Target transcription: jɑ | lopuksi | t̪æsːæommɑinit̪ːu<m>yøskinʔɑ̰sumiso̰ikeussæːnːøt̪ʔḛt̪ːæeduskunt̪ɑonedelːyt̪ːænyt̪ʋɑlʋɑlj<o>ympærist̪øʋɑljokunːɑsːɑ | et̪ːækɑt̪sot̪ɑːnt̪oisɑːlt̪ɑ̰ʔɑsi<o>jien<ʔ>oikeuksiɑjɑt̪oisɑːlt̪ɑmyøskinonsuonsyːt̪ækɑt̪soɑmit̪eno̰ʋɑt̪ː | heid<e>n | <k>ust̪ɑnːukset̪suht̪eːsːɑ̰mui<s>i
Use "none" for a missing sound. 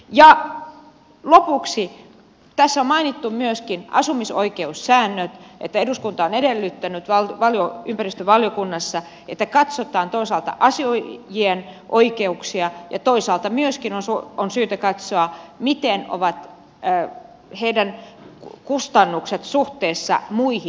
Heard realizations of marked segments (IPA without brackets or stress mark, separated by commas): m, o, o, ʔ, æ, k, h